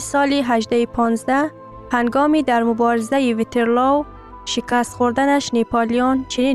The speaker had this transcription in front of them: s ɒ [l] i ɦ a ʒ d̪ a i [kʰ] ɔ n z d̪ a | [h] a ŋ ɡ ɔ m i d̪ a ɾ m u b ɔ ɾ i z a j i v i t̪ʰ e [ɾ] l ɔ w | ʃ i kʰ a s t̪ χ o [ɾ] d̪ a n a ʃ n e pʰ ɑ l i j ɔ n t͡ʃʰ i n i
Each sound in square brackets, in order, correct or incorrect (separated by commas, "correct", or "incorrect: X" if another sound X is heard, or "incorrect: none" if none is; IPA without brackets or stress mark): correct, incorrect: pʰ, correct, correct, correct